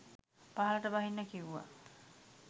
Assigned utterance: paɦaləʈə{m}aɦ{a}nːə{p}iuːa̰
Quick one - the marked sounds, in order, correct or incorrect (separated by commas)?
incorrect, incorrect, incorrect